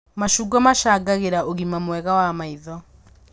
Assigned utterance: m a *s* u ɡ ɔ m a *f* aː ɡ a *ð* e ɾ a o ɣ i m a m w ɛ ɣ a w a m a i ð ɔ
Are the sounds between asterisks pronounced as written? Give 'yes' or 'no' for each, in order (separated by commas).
no, no, no